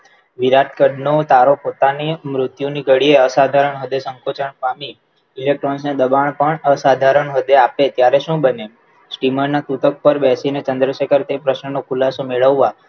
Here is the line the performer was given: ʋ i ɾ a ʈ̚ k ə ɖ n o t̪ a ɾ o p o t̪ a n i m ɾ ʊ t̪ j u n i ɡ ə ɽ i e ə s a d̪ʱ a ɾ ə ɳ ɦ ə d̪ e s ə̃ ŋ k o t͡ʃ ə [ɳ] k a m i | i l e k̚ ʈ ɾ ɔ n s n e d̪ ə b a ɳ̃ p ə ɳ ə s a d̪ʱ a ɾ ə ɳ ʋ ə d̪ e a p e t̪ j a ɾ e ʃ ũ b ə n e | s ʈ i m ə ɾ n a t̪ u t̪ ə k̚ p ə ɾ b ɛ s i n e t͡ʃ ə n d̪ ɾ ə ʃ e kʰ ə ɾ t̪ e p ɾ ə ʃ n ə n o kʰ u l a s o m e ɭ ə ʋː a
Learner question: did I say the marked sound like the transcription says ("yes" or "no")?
yes